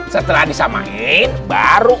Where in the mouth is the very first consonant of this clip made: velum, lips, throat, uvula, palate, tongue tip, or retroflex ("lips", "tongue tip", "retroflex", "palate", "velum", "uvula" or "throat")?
tongue tip